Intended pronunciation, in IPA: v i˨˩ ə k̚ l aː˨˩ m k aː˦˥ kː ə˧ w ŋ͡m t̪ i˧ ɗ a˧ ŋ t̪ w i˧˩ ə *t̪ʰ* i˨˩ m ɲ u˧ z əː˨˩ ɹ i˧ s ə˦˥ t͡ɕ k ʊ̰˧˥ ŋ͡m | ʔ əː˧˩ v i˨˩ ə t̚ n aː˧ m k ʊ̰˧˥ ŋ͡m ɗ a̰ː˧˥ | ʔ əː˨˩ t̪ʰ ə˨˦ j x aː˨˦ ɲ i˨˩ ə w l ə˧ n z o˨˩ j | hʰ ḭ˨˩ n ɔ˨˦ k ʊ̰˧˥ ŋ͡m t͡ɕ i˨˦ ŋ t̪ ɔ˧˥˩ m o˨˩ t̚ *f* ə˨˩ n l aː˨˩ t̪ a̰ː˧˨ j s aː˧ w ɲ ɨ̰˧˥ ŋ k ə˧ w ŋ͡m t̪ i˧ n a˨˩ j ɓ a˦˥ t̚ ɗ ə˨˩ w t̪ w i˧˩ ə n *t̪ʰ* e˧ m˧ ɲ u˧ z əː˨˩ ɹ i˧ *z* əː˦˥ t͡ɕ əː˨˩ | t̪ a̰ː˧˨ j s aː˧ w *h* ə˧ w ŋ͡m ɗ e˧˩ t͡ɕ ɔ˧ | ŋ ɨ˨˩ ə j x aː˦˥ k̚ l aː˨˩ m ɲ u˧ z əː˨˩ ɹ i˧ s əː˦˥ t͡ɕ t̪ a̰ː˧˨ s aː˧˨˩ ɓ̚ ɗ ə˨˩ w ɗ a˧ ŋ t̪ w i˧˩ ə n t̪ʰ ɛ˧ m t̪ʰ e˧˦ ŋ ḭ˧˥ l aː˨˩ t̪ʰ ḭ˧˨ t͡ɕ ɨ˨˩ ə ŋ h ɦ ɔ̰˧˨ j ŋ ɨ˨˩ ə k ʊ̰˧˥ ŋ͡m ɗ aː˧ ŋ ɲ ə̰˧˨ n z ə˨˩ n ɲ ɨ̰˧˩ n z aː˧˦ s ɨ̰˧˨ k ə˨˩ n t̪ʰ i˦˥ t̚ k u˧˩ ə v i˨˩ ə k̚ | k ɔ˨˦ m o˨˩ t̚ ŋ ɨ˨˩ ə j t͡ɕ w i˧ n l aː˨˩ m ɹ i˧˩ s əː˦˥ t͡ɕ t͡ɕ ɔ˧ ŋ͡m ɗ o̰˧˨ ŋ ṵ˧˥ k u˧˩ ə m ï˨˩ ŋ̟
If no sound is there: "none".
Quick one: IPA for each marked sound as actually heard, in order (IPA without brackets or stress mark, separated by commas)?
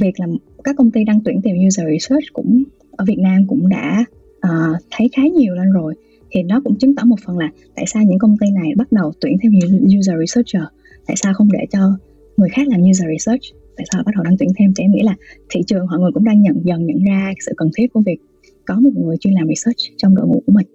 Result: t̪, f, t̪ʰ, s, x